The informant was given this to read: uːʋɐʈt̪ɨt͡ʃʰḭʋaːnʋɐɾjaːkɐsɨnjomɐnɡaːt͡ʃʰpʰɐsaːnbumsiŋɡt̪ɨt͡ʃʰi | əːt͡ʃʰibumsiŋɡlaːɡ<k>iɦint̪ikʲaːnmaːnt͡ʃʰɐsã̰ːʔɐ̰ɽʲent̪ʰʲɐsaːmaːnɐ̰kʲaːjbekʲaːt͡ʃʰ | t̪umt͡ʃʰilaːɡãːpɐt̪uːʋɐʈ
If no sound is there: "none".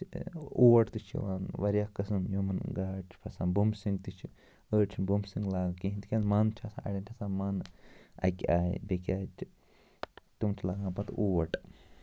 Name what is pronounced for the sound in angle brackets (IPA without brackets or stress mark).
k